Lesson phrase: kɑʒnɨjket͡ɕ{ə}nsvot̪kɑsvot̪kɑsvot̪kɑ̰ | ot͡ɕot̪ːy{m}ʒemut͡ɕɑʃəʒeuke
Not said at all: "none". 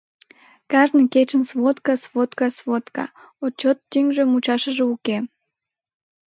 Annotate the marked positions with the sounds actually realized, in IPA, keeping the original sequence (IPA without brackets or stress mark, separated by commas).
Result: ə, ŋ